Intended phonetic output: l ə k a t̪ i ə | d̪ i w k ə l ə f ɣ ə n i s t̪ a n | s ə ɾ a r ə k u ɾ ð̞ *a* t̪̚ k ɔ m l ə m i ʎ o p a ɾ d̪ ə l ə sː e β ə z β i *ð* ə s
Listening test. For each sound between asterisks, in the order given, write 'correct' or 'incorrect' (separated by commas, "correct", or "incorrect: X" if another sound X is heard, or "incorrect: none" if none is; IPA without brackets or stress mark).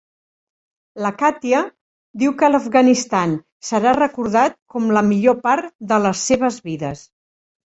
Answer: correct, correct